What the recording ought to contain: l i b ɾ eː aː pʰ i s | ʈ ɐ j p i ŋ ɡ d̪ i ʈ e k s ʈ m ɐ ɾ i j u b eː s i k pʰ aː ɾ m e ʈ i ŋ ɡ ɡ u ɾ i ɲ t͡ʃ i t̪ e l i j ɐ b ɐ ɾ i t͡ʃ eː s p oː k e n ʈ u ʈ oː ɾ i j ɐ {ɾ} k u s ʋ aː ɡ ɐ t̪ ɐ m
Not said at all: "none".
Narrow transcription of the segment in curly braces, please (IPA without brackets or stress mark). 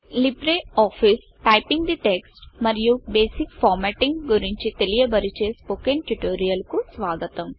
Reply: l